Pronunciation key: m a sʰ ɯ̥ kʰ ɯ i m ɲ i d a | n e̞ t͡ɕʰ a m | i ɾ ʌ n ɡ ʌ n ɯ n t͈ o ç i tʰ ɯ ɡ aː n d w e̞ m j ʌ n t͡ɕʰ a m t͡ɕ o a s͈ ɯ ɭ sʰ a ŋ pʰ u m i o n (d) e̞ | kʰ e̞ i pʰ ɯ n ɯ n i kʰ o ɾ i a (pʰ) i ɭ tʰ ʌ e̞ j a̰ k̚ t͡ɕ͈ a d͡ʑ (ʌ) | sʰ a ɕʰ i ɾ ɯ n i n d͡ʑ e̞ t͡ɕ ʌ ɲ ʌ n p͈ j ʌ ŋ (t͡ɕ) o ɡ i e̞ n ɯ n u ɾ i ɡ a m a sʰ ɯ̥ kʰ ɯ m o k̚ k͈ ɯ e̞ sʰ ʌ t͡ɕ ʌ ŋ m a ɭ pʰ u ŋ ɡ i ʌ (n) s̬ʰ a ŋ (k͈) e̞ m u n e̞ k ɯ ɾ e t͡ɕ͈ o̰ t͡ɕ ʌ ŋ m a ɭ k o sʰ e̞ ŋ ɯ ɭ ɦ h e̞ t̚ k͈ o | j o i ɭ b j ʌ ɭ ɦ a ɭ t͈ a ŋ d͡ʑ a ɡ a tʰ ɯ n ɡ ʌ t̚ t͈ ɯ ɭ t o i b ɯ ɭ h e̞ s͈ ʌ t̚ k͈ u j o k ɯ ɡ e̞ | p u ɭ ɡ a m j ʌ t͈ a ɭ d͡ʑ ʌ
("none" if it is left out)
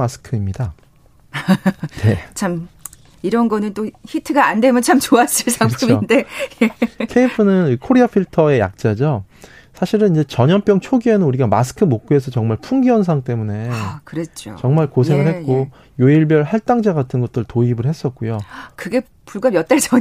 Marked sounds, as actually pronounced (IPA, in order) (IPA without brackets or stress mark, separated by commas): d, pʰ, ʌ, t͡ɕʰ, n, t͈